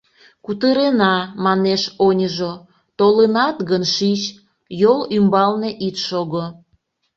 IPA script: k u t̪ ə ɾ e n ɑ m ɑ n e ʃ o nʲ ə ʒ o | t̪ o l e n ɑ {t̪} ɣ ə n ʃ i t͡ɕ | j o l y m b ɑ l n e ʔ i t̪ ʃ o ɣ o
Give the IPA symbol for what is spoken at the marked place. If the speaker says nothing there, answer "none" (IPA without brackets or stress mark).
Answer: t̪